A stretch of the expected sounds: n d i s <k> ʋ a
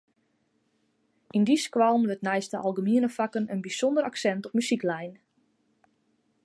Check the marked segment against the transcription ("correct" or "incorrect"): correct